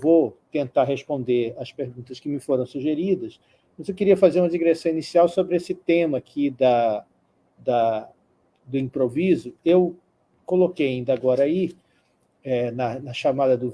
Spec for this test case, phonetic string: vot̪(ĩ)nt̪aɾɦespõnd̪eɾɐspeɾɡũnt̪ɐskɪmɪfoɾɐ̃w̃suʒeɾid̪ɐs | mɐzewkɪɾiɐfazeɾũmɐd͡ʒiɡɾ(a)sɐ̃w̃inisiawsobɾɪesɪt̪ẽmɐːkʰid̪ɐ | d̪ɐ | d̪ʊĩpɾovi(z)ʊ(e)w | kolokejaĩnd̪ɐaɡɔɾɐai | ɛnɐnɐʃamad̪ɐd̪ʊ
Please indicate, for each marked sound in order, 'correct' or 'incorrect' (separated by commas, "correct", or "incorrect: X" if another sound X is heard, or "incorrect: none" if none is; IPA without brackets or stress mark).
incorrect: ẽ, incorrect: e, correct, correct